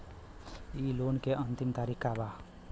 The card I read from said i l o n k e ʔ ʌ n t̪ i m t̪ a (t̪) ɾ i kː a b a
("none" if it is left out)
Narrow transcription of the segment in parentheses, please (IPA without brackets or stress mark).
none